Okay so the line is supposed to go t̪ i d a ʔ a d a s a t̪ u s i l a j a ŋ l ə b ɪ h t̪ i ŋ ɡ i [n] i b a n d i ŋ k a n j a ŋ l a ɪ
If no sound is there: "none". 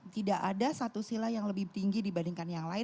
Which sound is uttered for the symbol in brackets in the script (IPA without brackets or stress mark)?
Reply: d